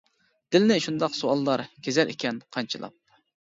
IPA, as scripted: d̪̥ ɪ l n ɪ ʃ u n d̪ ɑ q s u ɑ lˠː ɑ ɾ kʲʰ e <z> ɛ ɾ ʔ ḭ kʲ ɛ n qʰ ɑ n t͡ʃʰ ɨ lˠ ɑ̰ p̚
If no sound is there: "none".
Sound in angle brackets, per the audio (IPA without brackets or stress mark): z